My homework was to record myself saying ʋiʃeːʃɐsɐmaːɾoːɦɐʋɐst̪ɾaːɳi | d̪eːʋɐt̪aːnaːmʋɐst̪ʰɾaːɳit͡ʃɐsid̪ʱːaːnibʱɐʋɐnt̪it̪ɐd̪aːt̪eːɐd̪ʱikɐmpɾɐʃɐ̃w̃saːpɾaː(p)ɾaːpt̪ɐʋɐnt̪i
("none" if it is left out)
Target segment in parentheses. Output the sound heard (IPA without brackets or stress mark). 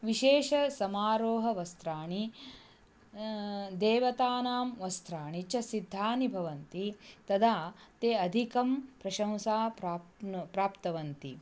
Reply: p